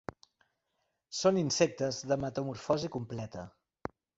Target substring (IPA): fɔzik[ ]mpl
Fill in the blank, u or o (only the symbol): u